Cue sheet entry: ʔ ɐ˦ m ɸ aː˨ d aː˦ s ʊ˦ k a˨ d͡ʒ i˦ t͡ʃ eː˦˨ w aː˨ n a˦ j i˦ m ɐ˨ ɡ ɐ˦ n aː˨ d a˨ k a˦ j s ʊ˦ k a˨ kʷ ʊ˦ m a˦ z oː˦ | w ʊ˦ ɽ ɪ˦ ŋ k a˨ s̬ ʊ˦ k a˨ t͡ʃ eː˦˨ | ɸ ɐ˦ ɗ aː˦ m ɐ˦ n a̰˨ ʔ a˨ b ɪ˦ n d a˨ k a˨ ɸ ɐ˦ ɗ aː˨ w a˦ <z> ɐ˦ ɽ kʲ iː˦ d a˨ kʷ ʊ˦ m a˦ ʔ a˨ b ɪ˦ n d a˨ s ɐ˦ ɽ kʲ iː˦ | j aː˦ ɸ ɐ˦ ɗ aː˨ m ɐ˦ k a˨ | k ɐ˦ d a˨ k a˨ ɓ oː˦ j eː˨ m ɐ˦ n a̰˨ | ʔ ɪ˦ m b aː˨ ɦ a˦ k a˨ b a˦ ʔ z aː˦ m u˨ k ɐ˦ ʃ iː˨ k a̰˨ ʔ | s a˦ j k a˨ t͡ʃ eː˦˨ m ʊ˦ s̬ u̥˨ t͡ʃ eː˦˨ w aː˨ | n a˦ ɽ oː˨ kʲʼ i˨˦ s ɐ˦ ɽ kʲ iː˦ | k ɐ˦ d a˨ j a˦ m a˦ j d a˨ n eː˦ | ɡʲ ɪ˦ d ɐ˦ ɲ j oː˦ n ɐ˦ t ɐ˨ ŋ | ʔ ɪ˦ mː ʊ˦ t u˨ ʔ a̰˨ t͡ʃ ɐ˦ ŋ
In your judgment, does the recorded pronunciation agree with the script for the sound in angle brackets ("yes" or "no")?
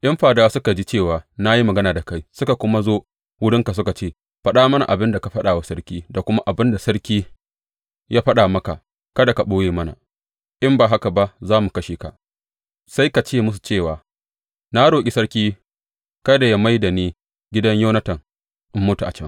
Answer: no